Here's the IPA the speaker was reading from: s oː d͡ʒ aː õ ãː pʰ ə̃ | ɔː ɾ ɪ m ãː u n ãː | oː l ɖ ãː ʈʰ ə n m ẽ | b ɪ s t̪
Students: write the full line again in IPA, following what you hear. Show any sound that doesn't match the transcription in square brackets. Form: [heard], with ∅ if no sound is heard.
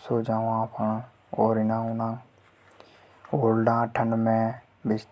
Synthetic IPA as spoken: s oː d͡ʒ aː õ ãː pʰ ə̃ | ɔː ɾ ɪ [n] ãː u n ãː | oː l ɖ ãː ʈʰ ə n m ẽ | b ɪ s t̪